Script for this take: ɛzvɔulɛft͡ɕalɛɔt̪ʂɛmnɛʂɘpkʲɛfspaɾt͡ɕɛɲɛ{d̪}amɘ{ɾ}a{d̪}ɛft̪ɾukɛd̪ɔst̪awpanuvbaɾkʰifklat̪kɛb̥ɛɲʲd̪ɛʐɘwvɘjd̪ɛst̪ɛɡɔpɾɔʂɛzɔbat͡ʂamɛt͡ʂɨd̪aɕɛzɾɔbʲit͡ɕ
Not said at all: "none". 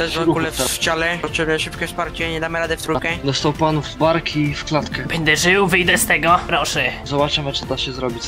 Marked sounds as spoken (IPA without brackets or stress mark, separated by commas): d̪, ɾ, d̪